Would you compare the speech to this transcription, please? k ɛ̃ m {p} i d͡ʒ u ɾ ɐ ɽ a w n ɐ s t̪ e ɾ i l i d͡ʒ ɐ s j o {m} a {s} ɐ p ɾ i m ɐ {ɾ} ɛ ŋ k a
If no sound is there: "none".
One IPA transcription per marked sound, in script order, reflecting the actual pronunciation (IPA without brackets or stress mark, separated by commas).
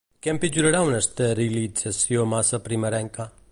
p, m, s, ɾ